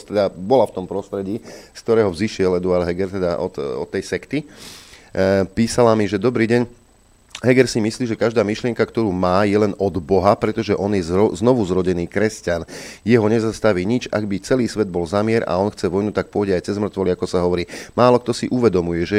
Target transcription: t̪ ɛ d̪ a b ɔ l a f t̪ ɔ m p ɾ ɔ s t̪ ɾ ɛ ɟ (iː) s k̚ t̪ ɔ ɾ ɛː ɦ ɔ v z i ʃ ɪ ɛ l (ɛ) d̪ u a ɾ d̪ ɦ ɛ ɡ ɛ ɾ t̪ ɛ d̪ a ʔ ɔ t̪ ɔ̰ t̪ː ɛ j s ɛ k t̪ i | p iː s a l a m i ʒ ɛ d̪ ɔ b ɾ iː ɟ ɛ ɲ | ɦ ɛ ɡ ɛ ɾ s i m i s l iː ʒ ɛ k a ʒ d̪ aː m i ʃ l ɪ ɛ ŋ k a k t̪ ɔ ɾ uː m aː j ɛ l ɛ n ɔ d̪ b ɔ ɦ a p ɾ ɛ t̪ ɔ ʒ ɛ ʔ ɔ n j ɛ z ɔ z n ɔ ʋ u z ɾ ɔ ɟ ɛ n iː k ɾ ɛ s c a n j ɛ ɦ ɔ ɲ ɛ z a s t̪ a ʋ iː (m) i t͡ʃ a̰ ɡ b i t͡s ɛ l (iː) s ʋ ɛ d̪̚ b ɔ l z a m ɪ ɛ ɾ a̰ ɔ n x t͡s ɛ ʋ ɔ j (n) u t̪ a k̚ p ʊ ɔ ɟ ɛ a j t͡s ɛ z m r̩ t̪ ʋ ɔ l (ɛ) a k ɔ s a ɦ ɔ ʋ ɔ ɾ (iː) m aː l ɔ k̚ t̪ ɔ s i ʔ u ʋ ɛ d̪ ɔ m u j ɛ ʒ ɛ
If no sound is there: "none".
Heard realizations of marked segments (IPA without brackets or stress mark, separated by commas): iː, ɛ, ɲ, iː, n, i, iː